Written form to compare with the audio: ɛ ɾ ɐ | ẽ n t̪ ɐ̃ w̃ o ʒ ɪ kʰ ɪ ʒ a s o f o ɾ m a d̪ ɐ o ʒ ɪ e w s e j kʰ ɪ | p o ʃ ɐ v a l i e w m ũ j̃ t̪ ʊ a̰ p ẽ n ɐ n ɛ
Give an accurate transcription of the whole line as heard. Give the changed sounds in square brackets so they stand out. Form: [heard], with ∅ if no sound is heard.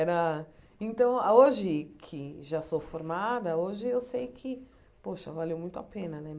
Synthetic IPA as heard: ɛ ɾ ɐ | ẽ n t̪ ɐ̃ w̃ o ʒ ɪ kʰ ɪ ʒ a s o f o ɾ m a d̪ ɐ o ʒ ɪ e w s e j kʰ ɪ | p o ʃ ɐ v a l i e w m ũ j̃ t̪ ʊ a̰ p ẽ n ɐ n ɛ